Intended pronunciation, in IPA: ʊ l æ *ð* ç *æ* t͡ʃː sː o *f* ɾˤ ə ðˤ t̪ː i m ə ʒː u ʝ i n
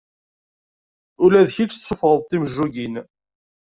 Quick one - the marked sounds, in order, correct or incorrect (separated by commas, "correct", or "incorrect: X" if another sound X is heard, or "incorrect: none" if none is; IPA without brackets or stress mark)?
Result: correct, incorrect: i, correct